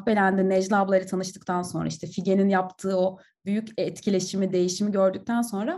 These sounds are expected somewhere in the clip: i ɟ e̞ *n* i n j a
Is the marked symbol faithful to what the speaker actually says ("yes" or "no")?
yes